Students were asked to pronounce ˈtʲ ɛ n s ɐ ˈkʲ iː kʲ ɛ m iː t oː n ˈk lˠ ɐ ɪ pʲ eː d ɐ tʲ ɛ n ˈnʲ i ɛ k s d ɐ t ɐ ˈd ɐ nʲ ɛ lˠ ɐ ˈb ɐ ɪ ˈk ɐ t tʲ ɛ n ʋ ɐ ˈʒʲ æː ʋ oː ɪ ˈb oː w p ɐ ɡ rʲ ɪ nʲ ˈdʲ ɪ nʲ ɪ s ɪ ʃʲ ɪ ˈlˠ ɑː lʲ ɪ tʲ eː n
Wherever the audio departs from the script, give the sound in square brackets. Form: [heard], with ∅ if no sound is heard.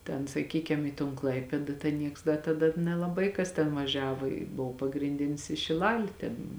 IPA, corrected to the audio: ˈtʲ ɛ n s ɐ ˈkʲ iː kʲ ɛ m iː t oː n ˈk lˠ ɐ ɪ pʲ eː d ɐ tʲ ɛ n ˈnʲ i ɛ k s d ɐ t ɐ ˈd ɐ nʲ ɛ lˠ ɐ ˈb ɐ ɪ ˈk ɐ [s] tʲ ɛ n ʋ ɐ ˈʒʲ æː ʋ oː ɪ ˈb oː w p ɐ ɡ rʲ ɪ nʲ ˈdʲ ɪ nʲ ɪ s ɪ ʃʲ ɪ ˈlˠ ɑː lʲ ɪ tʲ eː n

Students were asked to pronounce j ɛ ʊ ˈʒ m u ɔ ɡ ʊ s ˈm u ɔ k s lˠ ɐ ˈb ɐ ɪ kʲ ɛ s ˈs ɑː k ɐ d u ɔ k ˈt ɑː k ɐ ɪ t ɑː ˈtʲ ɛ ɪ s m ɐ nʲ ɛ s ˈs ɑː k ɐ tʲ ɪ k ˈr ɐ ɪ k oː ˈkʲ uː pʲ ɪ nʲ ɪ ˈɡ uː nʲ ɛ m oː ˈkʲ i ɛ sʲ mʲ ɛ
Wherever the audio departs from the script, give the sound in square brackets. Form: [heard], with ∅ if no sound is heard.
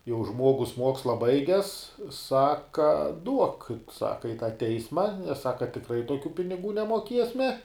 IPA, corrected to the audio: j ɛ ʊ ˈʒ m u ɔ ɡ ʊ s ˈm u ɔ k s lˠ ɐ ˈb ɐ ɪ [ɡʲ] ɛ s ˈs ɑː k ɐ d u ɔ k [ˈs] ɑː k ɐ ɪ t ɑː ˈtʲ ɛ ɪ s m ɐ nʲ ɛ s ˈs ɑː k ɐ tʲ ɪ k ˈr ɐ ɪ [t] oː ˈkʲ uː pʲ ɪ nʲ ɪ ˈɡ uː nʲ ɛ m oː ˈkʲ i ɛ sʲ mʲ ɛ

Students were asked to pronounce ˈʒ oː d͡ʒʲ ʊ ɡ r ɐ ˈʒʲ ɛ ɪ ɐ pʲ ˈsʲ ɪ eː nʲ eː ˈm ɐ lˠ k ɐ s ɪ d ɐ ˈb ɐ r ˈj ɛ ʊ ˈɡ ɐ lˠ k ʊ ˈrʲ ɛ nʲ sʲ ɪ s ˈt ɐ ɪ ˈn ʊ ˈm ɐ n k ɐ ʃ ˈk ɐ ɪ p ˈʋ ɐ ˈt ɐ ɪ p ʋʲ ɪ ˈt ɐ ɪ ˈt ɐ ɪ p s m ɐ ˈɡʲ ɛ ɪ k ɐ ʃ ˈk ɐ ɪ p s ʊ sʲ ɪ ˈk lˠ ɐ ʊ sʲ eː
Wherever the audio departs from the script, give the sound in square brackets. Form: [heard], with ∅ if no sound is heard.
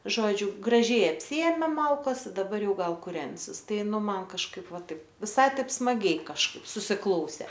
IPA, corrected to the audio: ˈʒ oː d͡ʒʲ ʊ ɡ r ɐ ˈʒʲ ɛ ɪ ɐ pʲ ˈsʲ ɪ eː [mʲ] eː ˈm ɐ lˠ k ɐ s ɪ d ɐ ˈb ɐ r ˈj ɛ ʊ ˈɡ ɐ lˠ k ʊ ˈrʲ ɛ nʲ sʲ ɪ s ˈt ɐ ɪ ˈn ʊ ˈm ɐ n k ɐ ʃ ˈk ɐ ɪ p ˈʋ ɐ ˈt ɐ ɪ p ʋʲ ɪ [ˈs] ɐ ɪ ˈt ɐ ɪ p s m ɐ ˈɡʲ ɛ ɪ k ɐ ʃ ˈk ɐ ɪ p s ʊ sʲ ɪ ˈk lˠ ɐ ʊ sʲ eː

